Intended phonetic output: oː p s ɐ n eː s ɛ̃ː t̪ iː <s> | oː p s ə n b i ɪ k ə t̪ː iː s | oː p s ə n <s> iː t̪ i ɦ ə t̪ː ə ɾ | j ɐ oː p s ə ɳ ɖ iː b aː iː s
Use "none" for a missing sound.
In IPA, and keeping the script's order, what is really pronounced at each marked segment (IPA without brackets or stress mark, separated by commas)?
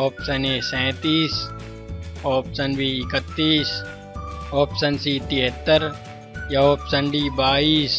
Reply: s, s